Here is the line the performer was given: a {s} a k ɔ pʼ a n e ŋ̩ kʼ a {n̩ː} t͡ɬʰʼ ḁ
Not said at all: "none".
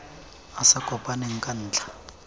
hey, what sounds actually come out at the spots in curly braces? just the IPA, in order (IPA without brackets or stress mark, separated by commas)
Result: s, n̩ː